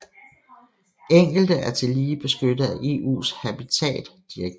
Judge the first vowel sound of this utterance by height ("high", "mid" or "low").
mid